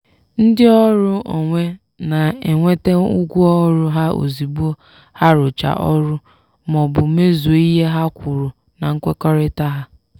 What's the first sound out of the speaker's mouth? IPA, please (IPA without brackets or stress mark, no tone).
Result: n̩